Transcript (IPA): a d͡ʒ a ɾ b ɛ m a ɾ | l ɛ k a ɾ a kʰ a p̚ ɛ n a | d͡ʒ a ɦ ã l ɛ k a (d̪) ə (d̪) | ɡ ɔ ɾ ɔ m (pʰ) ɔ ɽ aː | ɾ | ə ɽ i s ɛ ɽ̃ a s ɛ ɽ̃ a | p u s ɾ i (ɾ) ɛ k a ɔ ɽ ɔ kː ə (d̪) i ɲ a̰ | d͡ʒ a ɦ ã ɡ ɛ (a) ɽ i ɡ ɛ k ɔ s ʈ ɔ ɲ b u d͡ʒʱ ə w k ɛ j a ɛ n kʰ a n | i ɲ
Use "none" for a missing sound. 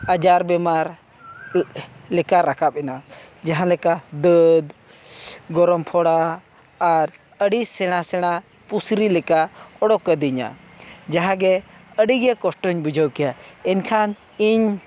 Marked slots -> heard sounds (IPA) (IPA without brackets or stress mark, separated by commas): d̪, d̪, pʰ, l, d̪, ə